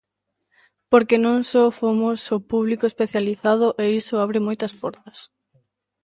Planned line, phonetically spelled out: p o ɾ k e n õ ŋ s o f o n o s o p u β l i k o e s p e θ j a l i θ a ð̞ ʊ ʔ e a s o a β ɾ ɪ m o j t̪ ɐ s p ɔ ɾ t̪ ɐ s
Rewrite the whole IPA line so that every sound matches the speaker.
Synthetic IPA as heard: p o ɾ k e n õ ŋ s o f o m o s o p u β l i k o e s p e θ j a l i θ a ð̞ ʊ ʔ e i s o a β ɾ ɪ m o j t̪ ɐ s p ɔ ɾ t̪ ɐ s